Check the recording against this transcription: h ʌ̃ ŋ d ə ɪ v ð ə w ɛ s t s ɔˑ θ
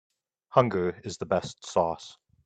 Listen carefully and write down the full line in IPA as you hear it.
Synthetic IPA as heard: h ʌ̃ ŋ ɡ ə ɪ z ð ə b ɛ s t s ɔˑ s